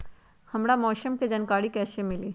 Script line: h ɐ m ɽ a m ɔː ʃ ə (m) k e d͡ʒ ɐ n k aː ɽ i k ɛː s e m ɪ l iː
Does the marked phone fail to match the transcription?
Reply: no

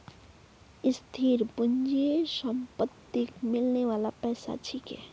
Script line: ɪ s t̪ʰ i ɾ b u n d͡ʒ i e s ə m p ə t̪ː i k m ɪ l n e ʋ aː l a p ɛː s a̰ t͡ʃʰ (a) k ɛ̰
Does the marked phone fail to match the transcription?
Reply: yes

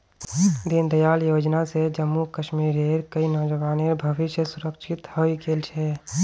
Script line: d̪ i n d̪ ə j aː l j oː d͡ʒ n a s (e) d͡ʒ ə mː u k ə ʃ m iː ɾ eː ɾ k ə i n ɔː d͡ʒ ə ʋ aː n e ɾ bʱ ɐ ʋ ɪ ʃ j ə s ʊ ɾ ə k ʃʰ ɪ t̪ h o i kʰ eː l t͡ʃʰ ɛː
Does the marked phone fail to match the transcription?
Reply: no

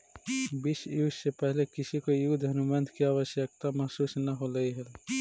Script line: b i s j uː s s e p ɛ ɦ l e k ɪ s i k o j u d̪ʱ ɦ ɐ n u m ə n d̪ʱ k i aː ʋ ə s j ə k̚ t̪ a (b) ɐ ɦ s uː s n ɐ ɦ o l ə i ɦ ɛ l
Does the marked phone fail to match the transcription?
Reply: yes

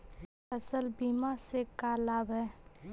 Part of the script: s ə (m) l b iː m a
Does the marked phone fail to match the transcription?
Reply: yes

